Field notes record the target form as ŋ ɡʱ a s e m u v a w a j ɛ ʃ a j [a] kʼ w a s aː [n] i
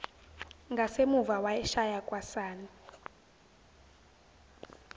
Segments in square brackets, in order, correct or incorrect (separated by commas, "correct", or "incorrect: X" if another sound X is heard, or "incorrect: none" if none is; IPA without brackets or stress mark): correct, correct